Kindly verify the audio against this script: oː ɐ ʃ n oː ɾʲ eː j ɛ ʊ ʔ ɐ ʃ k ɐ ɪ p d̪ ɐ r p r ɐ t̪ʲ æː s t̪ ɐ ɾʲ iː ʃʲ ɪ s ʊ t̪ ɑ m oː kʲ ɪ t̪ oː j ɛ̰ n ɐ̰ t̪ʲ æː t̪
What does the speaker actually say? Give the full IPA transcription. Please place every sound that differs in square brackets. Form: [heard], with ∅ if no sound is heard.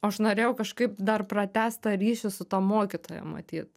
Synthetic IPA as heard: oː ɐ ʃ n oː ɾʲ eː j ɛ ʊ [k] ɐ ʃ k ɐ ɪ p d̪ ɐ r p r ɐ t̪ʲ æː s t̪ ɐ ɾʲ iː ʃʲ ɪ s ʊ t̪ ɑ m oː kʲ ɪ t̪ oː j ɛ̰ [m] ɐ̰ t̪ʲ [iː] t̪